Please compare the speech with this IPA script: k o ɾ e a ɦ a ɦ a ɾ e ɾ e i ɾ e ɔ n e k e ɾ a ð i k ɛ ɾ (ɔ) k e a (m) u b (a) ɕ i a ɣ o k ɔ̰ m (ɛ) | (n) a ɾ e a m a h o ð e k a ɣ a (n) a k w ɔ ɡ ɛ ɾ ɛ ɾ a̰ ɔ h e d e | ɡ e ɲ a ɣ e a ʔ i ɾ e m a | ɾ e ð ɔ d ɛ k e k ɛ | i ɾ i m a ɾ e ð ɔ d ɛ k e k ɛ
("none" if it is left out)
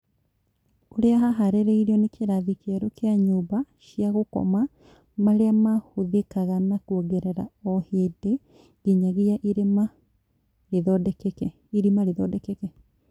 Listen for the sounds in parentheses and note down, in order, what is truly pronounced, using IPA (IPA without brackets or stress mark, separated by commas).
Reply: o, ɲ, a, a, m, n